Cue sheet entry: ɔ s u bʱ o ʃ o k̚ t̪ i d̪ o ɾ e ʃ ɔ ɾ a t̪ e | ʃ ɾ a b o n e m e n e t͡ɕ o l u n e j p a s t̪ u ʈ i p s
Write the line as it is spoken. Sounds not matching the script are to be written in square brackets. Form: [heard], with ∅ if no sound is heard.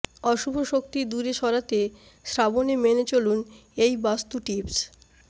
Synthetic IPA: ɔ [ʃ] u bʱ o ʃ o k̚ t̪ i d̪ [u] ɾ e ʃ ɔ ɾ a t̪ e | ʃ ɾ a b o n e m e n e t͡ɕ o l u n e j [b] a s t̪ u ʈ i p s

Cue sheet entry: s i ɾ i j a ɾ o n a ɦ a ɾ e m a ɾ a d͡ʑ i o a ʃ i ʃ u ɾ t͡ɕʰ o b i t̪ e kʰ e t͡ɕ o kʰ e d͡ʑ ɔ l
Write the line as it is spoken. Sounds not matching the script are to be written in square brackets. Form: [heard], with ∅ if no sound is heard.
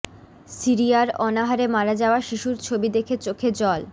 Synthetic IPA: s i ɾ i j a ɾ [ɔ] n a ɦ a ɾ e m a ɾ a d͡ʑ [a] o a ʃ i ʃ u ɾ t͡ɕʰ o b i [d̪] e kʰ e t͡ɕ o kʰ e d͡ʑ ɔ l

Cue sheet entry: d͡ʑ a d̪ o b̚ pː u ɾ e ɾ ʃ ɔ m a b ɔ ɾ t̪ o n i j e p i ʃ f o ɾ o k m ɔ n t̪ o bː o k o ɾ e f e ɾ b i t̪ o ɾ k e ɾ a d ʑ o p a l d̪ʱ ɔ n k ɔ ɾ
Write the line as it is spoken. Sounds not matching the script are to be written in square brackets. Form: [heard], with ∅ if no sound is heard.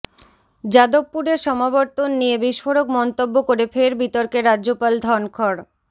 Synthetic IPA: d͡ʑ a d̪ o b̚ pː u ɾ e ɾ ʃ ɔ m a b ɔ ɾ t̪ o [nː] i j e [b] i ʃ f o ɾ o k m ɔ n t̪ o bː o k o ɾ e f e ɾ b i t̪ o ɾ k e ɾ a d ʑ o p a l d̪ʱ ɔ n [kʰ] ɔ ɾ

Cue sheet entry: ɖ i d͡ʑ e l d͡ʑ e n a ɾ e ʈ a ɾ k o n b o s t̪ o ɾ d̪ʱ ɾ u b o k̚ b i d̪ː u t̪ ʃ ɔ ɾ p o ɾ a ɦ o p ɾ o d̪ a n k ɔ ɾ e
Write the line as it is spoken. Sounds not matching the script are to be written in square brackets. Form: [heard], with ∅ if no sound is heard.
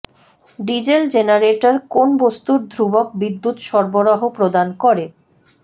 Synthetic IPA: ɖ i d͡ʑ e l d͡ʑ e n a ɾ e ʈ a ɾ k o n b o s t̪ [u] ɾ d̪ʱ ɾ u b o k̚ b i d̪ː u t̪ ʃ ɔ ɾ [b] o ɾ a ɦ o p ɾ o d̪ a n k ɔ ɾ e

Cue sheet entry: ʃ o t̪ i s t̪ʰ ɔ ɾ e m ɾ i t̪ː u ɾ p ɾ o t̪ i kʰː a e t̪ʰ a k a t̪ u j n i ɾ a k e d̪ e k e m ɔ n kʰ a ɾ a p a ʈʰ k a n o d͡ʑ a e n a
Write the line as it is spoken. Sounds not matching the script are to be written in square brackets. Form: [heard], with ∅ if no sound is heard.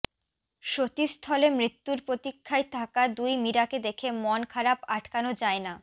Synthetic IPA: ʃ o t̪ i s t̪ʰ ɔ [l] e m ɾ i t̪ː u ɾ p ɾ o t̪ i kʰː a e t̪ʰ a k a [d̪] u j [m] i ɾ a k e d̪ e [kʰ] e m ɔ n kʰ a ɾ a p a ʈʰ k a n o d͡ʑ a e n a

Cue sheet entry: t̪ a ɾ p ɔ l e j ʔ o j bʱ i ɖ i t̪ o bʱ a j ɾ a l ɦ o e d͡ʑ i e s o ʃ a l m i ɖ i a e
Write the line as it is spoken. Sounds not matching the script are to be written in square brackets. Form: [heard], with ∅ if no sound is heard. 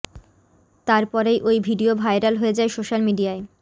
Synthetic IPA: t̪ a ɾ p ɔ [ɾ] e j ʔ o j bʱ i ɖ i [∅] o bʱ a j ɾ a l ɦ o e d͡ʑ [a] e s o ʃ a l m i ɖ i a e

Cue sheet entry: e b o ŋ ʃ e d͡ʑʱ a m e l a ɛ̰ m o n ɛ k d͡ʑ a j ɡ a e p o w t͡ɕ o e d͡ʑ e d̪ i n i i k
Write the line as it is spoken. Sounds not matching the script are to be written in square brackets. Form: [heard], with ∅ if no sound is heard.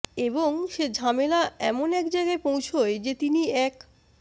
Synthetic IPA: e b o ŋ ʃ e d͡ʑʱ a m e l a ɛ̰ m o n ɛ k d͡ʑ a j ɡ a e p o w [t͡ɕʰ] o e d͡ʑ e [t̪] i n i [ɛ] k

